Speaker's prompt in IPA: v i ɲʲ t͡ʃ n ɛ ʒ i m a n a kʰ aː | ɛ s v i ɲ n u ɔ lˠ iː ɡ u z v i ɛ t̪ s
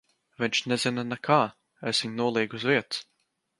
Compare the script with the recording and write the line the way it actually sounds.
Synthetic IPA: v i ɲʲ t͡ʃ n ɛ z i n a n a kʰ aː | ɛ s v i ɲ n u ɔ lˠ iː ɡ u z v i ɛ t̪ s